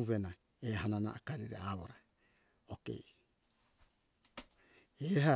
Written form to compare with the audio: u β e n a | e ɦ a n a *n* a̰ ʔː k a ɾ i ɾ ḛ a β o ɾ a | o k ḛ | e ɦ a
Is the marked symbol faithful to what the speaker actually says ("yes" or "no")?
yes